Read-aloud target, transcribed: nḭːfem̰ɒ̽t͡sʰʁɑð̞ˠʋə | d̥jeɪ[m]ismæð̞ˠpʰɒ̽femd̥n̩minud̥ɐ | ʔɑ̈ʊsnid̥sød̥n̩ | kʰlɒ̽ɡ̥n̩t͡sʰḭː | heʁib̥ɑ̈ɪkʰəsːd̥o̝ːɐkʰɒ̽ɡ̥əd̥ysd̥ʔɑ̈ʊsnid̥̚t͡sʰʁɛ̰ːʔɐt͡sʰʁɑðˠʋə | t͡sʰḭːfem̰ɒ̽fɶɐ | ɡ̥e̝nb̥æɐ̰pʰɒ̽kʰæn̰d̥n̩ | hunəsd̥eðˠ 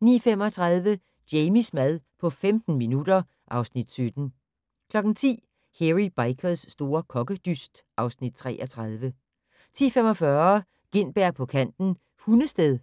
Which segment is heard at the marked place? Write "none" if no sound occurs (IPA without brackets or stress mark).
m